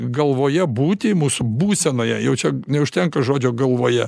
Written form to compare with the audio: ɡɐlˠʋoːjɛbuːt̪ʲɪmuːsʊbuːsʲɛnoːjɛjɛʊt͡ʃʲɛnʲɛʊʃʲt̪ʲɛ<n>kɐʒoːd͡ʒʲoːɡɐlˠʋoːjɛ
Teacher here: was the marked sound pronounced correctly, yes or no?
no